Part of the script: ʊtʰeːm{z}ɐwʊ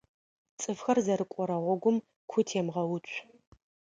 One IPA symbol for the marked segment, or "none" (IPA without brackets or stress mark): ʁ